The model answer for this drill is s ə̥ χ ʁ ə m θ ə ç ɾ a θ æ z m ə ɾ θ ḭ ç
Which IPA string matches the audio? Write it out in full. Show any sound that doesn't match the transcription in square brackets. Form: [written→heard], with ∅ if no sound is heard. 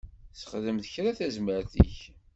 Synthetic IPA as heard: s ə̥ χ [ʁ→ð] ə m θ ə ç ɾ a θ æ z m ə ɾ θ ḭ ç